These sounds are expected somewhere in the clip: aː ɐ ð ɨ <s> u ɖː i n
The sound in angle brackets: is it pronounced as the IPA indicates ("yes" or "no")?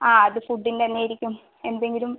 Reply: no